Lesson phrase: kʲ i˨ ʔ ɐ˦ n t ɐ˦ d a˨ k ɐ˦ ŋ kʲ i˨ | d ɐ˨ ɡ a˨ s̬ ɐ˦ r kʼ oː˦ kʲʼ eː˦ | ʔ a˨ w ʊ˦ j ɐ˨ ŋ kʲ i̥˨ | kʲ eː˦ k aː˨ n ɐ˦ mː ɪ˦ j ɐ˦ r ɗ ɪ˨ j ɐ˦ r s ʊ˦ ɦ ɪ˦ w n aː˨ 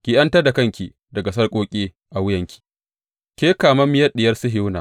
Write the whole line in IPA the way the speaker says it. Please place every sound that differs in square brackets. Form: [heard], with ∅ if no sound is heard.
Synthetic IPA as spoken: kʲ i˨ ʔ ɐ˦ n t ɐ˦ d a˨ k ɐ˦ ŋ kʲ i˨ | d ɐ˨ ɡ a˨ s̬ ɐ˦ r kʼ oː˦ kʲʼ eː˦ | ʔ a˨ w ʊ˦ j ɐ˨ ŋ kʲ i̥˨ | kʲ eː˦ k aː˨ [m] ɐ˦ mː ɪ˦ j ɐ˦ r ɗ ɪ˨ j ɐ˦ r s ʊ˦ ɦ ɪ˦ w n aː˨